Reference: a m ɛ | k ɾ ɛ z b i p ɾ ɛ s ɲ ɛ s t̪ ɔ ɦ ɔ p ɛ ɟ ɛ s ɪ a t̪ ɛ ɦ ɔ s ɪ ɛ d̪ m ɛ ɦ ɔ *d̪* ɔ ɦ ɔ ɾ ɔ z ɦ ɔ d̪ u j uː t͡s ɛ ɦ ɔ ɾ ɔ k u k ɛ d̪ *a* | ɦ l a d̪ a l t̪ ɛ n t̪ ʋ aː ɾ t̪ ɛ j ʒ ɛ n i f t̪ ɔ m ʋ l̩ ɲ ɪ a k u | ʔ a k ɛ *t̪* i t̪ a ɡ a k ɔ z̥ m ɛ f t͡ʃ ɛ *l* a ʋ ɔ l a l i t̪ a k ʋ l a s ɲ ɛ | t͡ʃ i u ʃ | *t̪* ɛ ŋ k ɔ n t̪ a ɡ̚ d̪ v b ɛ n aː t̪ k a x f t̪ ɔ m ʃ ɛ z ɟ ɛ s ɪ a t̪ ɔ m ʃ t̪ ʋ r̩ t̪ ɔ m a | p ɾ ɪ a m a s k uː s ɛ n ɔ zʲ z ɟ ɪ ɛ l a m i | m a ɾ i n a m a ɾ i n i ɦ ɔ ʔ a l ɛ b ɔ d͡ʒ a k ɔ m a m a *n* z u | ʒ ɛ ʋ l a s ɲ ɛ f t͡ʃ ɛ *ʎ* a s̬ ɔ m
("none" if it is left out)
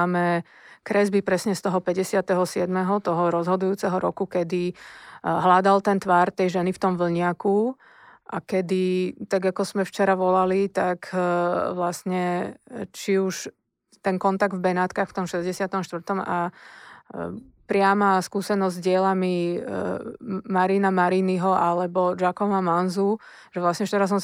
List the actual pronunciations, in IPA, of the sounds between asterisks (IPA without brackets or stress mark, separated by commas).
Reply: t̪, i, d̪, ɾ, t̪, n, ɾ